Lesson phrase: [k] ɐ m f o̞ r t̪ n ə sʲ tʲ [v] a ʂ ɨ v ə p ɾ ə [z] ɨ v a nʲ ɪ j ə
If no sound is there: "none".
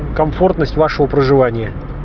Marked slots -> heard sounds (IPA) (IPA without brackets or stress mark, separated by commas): k, v, ʐ